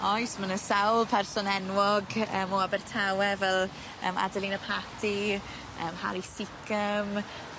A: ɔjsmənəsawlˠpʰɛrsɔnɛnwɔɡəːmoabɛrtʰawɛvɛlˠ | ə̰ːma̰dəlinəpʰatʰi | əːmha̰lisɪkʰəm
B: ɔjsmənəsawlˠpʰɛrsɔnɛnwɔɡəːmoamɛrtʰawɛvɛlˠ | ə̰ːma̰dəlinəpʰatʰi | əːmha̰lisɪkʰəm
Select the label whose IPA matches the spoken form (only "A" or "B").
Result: A